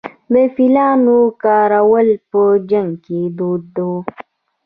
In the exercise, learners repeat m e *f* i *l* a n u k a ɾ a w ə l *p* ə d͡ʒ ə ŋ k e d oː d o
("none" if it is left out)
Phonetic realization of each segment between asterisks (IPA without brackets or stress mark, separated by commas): f, l, p